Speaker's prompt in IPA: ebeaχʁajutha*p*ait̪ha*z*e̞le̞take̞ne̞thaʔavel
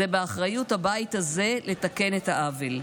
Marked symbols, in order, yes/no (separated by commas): no, yes